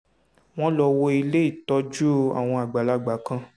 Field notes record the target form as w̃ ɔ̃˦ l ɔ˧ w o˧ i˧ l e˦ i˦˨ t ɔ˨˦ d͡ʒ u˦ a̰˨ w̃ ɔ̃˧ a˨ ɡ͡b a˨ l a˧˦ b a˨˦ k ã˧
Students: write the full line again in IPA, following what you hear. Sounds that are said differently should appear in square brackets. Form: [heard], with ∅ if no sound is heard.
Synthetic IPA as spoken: w̃ ɔ̃˦ l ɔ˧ w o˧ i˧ l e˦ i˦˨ t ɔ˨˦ d͡ʒ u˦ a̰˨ w̃ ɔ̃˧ a˨ ɡ͡b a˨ l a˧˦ [ɡ͡b] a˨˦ k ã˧